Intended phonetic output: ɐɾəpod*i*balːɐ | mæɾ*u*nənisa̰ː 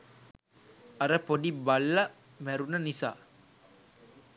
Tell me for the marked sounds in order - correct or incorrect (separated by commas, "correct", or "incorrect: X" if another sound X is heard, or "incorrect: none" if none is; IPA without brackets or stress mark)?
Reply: correct, correct